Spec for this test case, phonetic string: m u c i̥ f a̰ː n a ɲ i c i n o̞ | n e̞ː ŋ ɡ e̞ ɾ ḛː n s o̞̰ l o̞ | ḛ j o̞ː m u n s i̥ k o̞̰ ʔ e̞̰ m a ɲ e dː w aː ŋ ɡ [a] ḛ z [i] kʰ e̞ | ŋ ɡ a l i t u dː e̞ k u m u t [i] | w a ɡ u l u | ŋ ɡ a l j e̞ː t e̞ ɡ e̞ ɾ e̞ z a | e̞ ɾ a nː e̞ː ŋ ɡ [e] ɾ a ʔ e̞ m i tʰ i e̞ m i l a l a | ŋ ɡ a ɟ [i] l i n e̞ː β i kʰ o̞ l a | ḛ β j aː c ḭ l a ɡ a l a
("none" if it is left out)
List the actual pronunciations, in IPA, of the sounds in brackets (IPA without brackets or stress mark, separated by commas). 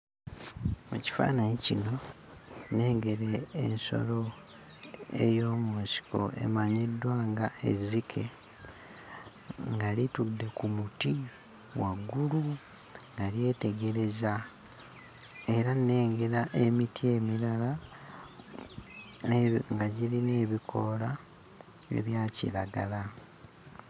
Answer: a, i, i, e, i